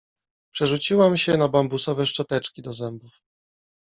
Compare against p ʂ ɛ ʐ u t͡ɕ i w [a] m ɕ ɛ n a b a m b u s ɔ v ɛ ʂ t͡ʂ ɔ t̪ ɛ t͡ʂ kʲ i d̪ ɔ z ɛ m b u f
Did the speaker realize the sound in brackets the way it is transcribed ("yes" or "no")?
yes